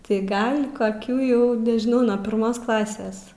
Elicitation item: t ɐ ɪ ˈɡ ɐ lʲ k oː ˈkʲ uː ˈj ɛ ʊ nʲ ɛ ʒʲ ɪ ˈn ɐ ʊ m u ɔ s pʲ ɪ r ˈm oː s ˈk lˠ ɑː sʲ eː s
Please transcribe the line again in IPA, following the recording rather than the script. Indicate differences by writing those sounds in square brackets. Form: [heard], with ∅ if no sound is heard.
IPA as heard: t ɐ ɪ ˈɡ ɐ lʲ k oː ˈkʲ uː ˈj ɛ ʊ nʲ ɛ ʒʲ ɪ ˈn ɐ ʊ [n] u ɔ [∅] pʲ ɪ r ˈm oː s ˈk lˠ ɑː sʲ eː s